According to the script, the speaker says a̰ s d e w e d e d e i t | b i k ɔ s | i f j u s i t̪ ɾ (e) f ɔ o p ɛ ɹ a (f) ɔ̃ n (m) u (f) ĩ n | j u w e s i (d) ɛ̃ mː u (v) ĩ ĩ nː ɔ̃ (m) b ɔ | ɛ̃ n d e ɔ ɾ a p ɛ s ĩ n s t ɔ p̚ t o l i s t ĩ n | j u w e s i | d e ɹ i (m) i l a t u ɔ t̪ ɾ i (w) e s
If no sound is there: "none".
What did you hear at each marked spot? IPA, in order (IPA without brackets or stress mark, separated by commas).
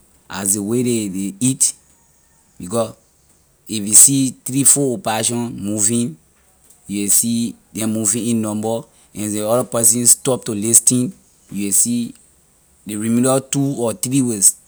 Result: i, ʃ, m, v, d, v, m, m, w